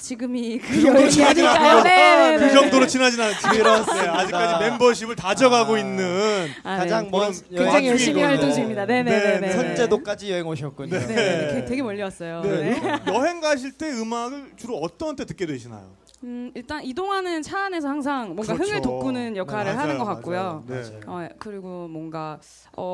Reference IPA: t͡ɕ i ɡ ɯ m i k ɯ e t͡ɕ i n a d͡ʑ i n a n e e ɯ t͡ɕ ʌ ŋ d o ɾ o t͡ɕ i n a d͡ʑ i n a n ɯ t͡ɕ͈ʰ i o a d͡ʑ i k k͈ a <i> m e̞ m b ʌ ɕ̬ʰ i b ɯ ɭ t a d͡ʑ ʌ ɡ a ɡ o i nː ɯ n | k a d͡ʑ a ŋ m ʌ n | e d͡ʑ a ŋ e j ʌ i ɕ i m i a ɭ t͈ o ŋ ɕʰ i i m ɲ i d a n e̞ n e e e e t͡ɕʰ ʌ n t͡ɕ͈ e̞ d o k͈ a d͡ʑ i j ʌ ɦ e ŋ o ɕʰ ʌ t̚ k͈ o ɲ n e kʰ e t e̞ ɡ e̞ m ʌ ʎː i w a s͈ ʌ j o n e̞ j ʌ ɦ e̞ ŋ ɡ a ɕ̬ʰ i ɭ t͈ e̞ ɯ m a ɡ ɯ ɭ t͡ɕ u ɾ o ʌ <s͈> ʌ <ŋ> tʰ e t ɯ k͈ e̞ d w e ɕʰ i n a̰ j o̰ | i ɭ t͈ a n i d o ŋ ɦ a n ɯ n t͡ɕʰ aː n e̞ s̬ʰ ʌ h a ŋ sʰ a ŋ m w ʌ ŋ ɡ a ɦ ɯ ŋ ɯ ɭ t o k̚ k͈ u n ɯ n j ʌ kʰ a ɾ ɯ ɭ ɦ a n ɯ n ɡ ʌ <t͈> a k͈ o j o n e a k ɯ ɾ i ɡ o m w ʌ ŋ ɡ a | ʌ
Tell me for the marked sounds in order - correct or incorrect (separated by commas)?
correct, incorrect, incorrect, incorrect